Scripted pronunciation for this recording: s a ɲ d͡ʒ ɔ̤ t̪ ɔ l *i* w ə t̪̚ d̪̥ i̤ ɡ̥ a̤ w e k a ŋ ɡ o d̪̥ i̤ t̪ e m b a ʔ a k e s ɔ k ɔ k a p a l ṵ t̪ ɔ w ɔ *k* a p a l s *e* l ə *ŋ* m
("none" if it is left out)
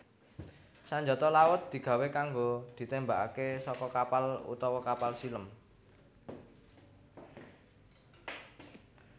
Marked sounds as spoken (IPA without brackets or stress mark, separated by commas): a, k, i, none